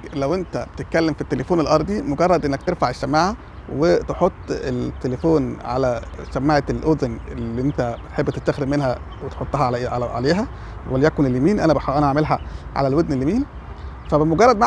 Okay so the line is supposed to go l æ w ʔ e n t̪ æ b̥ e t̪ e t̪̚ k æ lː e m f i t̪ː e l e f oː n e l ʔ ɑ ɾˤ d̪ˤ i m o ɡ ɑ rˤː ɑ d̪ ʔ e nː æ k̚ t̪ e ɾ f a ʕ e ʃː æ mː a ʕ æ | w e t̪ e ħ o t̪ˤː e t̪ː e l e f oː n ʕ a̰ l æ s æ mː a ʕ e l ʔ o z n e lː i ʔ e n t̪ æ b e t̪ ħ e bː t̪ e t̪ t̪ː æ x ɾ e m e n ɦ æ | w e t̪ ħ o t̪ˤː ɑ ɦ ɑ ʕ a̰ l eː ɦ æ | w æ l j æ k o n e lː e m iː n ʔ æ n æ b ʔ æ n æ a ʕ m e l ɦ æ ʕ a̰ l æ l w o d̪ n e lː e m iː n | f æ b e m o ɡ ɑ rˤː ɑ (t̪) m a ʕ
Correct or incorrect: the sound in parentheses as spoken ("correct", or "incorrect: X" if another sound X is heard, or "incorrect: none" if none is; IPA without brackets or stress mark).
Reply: incorrect: d̪